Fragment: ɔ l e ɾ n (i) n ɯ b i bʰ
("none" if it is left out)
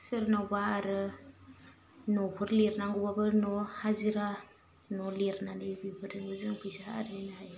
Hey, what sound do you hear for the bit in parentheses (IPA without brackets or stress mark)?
a